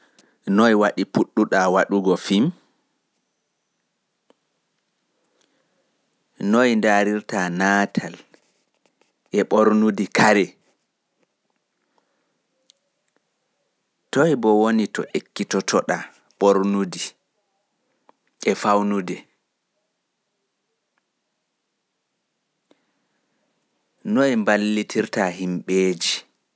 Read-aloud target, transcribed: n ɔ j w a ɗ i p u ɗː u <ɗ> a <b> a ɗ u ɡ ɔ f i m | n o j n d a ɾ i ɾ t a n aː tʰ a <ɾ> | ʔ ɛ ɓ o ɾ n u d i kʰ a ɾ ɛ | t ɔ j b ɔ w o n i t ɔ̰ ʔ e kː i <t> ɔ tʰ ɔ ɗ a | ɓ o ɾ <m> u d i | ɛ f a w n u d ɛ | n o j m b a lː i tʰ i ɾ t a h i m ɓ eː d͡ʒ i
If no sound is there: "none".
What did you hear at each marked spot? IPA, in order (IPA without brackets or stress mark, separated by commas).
ɗ, w, l, t, n